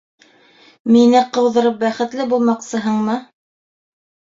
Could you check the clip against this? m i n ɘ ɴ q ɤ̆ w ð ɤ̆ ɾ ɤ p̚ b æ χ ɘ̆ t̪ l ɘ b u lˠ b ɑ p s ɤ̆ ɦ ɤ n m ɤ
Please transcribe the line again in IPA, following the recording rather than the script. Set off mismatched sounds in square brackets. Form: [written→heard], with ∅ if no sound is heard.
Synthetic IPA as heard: m i n ɘ [ɴ→∅] q ɤ̆ w ð ɤ̆ ɾ ɤ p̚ b æ χ ɘ̆ t̪ l ɘ b u lˠ [b→m] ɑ [p→q] s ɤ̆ ɦ ɤ [n→ɴ] m ɤ